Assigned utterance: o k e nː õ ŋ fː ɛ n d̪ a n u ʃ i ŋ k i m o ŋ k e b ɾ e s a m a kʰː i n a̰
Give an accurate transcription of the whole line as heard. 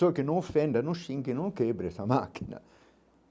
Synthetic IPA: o k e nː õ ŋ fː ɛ n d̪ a n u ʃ i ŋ k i n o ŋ k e b ɾ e s a m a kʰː i n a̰